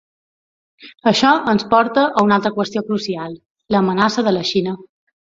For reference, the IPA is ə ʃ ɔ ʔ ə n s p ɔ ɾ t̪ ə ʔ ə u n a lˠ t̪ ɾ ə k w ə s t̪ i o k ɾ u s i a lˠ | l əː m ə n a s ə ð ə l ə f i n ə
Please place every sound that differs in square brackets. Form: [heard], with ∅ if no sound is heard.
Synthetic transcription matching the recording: ə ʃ ɔ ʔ ə n s p ɔ ɾ t̪ ə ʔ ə u n a lˠ t̪ ɾ ə k w ə s t̪ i o k ɾ u s i a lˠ | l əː m ə n a s ə ð ə l ə [ʃ] i n ə